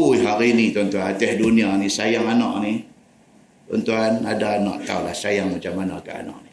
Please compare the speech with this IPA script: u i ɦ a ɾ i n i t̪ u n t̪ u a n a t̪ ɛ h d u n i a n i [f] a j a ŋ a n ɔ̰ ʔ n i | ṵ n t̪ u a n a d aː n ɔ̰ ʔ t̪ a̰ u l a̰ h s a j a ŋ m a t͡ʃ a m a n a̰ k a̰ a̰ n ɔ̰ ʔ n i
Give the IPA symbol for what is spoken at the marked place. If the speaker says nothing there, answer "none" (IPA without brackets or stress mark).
s